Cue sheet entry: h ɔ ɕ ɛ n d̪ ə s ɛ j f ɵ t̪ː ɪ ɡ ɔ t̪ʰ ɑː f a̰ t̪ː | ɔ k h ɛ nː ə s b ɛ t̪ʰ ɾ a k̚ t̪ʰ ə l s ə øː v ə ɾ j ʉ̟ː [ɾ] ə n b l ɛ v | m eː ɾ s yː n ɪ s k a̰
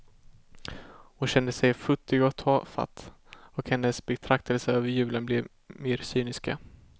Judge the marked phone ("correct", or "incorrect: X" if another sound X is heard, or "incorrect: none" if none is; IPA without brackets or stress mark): incorrect: l